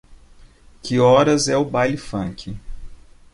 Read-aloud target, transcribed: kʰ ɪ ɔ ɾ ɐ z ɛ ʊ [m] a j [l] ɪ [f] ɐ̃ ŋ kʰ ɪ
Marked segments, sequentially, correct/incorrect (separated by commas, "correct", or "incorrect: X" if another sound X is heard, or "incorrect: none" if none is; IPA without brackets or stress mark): incorrect: b, correct, correct